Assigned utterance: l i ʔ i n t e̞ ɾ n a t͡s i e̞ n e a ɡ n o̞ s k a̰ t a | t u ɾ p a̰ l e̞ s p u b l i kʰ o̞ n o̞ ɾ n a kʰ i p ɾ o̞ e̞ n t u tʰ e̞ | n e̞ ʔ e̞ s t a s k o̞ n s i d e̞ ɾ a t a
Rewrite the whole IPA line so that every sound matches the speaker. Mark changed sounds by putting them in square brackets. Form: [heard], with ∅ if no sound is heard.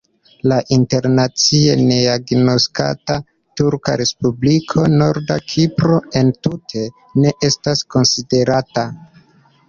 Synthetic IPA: l [a] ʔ i n t e̞ ɾ n a t͡s i e̞ n e a ɡ n o̞ s k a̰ t a | t u ɾ [k] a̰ [ɾ] e̞ s p u b l i kʰ o̞ n o̞ ɾ [d] a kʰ i p ɾ o̞ e̞ n t u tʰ e̞ | n e̞ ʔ e̞ s t a s k o̞ n s i d e̞ ɾ a t a